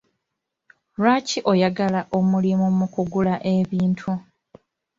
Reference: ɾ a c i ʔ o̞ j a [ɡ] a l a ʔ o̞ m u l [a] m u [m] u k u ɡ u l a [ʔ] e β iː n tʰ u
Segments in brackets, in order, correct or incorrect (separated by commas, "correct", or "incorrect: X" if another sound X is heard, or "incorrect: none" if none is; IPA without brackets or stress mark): correct, incorrect: i, correct, correct